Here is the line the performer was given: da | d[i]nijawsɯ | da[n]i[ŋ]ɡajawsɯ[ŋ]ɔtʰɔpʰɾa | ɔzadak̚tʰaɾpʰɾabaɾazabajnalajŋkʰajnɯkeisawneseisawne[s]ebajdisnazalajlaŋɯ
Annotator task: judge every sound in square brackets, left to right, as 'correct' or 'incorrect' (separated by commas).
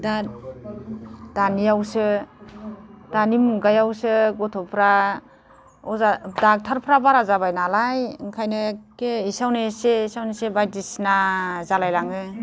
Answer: incorrect, correct, incorrect, incorrect, correct